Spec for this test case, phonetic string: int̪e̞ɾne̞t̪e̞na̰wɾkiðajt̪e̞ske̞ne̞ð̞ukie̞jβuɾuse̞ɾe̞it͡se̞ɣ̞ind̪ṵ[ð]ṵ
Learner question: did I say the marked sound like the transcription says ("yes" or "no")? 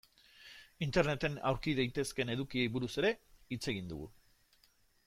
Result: no